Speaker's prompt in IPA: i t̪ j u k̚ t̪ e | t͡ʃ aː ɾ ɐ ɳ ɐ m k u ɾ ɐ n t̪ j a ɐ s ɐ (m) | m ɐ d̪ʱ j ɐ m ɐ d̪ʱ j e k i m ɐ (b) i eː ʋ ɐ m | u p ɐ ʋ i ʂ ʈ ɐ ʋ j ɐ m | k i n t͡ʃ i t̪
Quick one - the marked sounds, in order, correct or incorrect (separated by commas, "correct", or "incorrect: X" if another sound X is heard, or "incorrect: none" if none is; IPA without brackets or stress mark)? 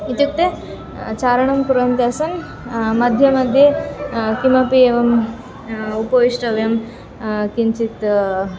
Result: incorrect: n, incorrect: p